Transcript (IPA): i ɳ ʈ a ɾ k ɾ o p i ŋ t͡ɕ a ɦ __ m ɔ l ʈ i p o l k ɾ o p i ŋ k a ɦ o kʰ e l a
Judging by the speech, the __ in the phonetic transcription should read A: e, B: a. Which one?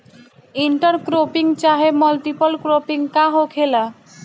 A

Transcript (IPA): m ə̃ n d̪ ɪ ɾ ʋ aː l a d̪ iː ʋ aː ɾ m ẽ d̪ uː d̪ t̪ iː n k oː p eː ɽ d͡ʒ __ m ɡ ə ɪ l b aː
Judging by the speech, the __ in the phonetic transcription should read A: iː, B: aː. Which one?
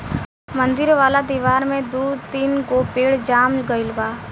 B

